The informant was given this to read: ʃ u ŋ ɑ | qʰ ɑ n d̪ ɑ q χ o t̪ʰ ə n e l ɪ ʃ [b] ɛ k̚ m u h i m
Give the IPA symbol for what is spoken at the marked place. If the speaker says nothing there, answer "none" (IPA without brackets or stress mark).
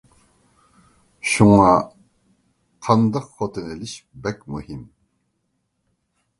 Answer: b